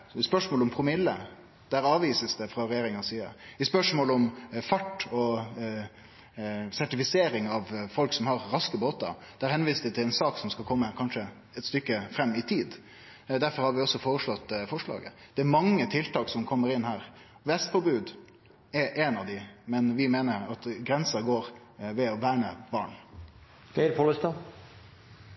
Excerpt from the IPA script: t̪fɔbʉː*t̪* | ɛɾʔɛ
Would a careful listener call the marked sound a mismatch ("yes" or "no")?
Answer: yes